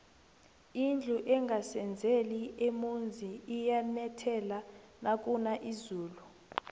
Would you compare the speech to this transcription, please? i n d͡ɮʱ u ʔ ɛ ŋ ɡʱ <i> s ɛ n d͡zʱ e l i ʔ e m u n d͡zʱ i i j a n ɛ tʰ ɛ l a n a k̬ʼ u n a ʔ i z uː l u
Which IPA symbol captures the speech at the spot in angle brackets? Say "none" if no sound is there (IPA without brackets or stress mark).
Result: a